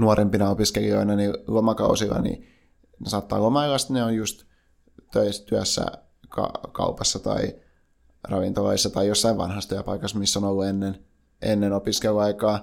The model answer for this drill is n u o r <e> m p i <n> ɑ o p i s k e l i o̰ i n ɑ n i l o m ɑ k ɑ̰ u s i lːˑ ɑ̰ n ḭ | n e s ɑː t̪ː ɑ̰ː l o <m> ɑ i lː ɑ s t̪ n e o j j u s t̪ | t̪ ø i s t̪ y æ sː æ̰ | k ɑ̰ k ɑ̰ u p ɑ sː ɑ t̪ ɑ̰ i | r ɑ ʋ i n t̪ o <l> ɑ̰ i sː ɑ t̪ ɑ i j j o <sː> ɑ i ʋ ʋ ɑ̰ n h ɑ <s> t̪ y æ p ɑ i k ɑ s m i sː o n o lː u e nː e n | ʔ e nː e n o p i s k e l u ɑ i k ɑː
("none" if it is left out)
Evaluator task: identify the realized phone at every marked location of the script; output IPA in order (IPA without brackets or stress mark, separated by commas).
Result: e, n, m, l, sː, s